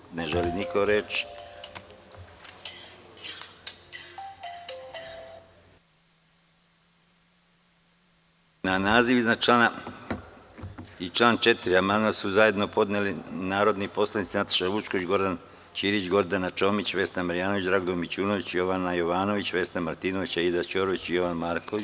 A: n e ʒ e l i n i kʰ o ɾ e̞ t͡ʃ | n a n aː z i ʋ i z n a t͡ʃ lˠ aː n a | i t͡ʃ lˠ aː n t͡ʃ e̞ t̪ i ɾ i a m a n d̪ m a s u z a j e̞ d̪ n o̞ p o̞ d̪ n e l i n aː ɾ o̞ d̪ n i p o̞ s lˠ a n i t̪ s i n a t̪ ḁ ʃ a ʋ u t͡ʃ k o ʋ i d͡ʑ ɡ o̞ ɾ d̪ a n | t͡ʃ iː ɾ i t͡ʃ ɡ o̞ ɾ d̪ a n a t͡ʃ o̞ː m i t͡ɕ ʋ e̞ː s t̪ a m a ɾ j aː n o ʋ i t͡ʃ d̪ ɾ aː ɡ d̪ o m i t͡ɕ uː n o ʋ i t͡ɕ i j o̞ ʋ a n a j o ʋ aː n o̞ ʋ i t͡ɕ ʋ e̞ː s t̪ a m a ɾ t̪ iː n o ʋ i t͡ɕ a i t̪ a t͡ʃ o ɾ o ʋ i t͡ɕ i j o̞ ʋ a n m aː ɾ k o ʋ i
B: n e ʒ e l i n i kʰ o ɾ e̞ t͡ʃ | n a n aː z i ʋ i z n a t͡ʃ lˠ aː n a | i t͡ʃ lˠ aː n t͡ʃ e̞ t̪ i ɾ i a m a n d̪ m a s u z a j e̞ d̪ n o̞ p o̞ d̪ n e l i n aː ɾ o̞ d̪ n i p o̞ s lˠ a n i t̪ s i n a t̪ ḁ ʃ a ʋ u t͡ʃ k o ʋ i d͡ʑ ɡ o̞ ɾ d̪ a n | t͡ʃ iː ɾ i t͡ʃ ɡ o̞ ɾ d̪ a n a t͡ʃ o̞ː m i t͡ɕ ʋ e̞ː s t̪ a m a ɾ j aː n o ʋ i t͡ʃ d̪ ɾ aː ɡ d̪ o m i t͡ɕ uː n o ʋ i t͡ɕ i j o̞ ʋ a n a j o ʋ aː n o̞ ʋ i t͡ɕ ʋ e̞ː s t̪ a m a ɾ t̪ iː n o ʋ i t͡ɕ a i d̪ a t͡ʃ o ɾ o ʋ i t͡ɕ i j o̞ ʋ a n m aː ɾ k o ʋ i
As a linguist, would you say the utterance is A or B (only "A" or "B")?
B